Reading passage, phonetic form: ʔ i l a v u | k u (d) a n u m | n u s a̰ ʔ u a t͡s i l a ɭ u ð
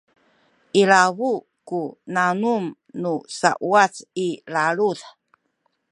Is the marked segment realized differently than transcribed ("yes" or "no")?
yes